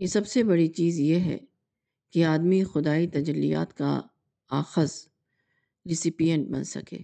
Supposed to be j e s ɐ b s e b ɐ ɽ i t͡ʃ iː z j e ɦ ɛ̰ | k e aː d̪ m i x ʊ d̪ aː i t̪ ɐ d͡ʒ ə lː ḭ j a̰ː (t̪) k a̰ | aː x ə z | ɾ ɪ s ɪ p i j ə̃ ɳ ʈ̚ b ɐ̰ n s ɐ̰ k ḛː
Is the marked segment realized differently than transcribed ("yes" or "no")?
no